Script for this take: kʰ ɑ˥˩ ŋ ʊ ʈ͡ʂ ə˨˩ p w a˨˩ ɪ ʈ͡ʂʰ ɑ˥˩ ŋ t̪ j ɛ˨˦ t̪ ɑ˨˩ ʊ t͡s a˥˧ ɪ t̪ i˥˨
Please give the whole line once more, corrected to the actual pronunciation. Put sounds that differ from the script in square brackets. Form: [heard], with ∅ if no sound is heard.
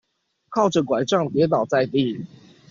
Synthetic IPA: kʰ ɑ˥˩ [∅] ʊ ʈ͡ʂ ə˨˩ [k] w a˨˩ ɪ [ʈ͡ʂ] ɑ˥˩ ŋ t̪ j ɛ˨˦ t̪ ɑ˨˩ ʊ t͡s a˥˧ ɪ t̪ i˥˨